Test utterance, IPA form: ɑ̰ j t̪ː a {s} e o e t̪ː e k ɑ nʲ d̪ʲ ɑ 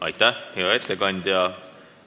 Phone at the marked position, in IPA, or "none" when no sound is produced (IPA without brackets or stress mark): h